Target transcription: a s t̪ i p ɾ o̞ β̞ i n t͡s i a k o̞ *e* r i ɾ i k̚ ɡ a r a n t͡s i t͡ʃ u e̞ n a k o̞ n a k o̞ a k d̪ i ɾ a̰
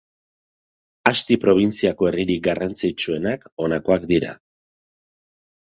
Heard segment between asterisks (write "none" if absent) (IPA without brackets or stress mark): e